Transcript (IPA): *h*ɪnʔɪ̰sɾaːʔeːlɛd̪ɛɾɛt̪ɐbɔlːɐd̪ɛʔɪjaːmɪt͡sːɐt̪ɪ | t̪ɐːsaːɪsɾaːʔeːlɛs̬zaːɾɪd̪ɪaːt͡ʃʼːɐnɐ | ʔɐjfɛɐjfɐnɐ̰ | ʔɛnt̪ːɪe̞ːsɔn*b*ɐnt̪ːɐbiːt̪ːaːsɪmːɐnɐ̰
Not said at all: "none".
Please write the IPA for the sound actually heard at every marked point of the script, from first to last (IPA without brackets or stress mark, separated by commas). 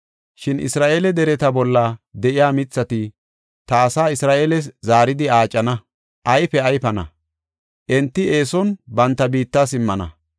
ʃ, b